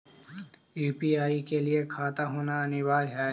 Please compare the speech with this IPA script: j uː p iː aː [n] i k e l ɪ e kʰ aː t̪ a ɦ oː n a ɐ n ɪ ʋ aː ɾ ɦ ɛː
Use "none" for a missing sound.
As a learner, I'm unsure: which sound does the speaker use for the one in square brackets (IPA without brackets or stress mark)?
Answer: none